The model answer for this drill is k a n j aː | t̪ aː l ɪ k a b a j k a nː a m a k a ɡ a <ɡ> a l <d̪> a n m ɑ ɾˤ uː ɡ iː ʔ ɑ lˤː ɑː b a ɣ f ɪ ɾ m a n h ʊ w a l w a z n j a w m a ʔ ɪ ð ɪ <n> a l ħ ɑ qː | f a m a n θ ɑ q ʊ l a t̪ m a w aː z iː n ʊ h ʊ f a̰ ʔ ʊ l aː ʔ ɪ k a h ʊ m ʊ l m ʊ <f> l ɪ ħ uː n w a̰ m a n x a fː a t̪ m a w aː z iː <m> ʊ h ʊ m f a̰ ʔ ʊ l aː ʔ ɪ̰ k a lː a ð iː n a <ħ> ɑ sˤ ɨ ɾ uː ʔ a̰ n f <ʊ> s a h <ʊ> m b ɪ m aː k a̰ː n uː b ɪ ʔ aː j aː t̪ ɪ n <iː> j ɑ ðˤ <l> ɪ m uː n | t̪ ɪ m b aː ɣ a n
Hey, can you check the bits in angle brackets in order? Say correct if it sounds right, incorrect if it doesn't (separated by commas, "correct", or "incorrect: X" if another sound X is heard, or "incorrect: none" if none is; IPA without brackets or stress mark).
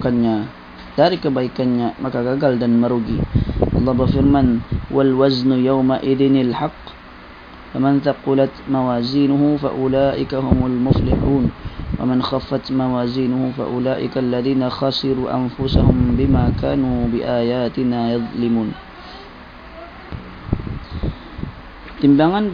correct, correct, correct, correct, incorrect: n, incorrect: x, correct, correct, incorrect: aː, correct